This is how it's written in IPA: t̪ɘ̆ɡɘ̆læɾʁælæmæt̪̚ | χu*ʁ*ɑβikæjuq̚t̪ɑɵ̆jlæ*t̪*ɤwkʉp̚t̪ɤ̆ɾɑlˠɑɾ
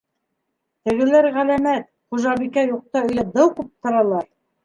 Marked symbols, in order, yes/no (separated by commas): no, no